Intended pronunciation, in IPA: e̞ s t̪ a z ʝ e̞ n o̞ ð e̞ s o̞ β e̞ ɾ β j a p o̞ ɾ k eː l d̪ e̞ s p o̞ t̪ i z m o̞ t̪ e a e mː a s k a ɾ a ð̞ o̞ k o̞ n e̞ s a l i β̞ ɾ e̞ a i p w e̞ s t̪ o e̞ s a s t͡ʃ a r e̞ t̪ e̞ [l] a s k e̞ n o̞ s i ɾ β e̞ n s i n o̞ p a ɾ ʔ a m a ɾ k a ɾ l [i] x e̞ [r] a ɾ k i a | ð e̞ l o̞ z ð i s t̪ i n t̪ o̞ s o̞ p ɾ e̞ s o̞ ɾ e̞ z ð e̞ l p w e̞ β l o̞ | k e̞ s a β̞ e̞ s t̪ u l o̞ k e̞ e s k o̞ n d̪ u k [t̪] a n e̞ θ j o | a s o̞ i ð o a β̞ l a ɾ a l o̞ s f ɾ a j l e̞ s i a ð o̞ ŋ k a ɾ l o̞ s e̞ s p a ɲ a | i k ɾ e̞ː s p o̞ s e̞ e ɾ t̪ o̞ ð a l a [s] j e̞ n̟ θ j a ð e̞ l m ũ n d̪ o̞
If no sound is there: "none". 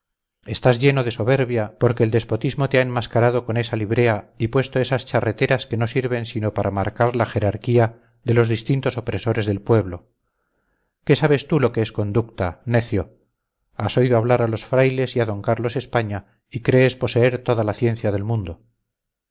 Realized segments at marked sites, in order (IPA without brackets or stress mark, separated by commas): ɾ, a, ɾ, t̪, θ